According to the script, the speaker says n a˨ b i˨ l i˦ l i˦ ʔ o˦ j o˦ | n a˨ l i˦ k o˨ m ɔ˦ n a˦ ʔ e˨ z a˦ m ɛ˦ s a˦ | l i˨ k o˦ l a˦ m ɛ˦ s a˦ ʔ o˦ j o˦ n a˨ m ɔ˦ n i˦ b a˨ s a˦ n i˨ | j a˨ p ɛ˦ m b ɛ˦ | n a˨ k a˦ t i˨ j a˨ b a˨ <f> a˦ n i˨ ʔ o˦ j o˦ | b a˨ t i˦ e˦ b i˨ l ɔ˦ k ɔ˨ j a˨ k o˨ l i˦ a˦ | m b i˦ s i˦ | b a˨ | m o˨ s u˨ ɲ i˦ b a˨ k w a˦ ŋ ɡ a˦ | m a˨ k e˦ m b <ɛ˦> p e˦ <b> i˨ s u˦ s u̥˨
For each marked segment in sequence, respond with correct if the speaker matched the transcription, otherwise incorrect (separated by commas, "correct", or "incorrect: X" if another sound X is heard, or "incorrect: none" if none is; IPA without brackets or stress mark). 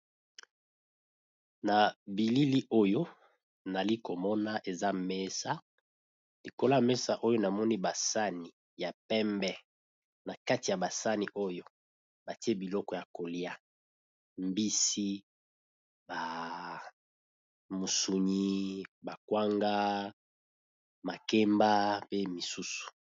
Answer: incorrect: s, incorrect: a˦, incorrect: m